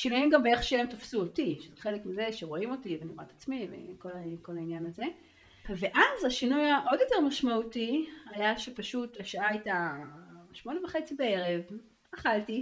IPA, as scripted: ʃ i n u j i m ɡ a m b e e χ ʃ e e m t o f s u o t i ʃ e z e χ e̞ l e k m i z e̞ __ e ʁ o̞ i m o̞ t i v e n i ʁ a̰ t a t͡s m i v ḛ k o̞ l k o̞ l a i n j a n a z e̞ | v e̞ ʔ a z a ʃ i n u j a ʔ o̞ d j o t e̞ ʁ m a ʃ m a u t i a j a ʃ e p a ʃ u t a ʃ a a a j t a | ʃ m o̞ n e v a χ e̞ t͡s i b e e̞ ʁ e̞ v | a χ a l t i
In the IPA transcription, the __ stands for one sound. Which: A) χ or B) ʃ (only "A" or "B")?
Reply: B